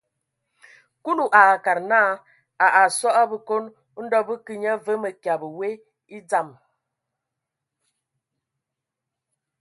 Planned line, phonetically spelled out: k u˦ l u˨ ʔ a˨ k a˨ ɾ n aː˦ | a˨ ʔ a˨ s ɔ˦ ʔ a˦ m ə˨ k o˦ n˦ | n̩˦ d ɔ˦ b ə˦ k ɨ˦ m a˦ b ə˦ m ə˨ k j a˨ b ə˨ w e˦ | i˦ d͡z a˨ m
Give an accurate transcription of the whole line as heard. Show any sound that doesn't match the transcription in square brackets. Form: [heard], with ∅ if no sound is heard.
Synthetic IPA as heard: k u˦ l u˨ ʔ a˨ k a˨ ɾ n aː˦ | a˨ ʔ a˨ s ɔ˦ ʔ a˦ [b] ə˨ k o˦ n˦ | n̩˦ d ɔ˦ b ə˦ k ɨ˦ [ɲ] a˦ [v] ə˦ m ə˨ k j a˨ b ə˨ w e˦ | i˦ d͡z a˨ m